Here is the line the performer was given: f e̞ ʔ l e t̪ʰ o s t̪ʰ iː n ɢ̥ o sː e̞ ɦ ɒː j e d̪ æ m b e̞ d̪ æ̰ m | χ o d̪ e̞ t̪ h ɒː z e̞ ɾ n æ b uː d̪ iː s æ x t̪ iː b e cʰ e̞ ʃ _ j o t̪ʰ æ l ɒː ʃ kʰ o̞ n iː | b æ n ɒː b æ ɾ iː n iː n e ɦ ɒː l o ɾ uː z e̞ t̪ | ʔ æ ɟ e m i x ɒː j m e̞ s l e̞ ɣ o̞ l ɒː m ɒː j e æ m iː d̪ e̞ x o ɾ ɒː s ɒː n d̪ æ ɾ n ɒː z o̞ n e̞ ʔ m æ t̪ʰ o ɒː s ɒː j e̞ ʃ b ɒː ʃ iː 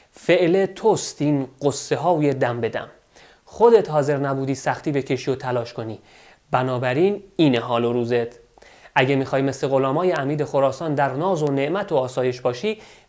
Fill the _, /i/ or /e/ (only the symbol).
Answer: i